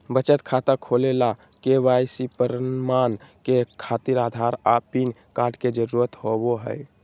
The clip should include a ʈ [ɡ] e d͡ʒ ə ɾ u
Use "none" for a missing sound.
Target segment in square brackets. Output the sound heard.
k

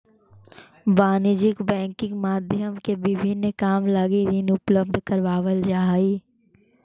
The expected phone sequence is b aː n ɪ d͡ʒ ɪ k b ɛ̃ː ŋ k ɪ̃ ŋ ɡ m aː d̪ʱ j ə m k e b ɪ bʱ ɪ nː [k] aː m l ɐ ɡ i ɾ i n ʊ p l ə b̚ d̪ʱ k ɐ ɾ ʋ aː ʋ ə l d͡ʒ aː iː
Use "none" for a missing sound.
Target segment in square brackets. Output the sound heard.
k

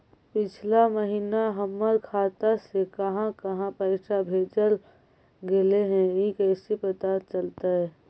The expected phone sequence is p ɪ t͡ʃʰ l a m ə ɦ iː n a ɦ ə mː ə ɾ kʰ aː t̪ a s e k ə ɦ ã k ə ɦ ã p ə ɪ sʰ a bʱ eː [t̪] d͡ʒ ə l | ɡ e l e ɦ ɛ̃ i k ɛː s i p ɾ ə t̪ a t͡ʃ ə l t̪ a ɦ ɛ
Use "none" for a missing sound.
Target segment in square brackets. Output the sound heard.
none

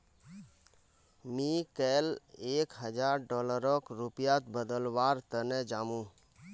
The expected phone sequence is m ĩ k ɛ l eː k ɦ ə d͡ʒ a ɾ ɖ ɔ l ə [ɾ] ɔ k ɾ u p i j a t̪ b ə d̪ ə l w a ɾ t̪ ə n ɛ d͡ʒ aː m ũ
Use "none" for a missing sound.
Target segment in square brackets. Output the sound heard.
ɾ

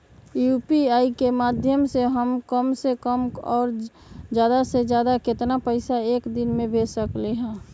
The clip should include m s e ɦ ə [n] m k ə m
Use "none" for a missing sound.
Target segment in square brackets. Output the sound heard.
none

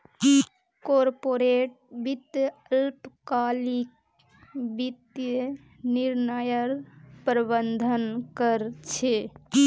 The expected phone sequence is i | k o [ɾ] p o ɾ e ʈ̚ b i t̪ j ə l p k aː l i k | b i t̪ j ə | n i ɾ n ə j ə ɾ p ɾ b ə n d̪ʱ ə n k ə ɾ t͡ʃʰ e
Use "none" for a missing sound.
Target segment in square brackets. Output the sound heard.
ɾ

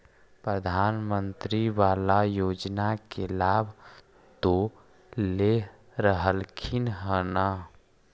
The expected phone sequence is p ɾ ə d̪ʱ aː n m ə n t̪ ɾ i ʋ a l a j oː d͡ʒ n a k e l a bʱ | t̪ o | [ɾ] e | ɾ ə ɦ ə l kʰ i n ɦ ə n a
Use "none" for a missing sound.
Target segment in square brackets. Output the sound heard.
l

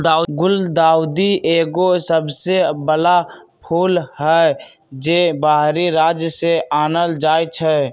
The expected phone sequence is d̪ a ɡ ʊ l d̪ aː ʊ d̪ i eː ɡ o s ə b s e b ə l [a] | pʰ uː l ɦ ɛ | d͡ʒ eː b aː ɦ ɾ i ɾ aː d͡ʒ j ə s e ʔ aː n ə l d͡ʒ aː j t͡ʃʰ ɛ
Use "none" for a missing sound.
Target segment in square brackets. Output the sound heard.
a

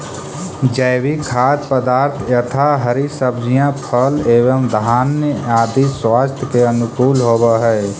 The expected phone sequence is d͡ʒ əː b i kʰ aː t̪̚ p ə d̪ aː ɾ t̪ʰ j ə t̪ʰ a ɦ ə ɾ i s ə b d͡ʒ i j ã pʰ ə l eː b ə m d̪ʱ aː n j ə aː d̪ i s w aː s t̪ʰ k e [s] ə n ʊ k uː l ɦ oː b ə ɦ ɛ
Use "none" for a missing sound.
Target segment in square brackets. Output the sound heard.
none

